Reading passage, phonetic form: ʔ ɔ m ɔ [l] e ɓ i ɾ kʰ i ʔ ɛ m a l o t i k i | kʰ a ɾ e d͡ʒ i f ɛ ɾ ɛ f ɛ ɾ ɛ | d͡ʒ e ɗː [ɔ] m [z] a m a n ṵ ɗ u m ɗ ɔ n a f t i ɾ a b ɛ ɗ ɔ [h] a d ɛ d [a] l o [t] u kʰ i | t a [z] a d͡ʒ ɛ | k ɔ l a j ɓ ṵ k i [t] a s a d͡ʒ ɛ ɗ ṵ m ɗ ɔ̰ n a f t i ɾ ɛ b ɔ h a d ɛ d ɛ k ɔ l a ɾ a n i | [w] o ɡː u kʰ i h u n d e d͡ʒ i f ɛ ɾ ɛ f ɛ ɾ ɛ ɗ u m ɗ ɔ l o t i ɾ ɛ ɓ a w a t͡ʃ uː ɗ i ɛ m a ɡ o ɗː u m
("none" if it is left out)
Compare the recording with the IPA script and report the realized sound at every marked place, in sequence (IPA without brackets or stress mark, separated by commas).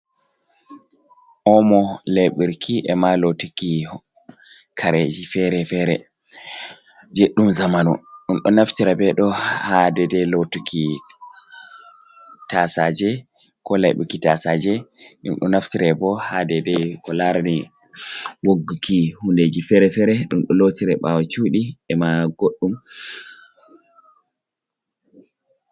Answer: l, u, z, h, ɛ, t, s, t, w